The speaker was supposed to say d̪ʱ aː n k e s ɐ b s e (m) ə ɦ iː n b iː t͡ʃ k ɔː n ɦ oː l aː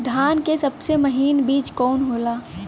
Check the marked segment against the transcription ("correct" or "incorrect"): correct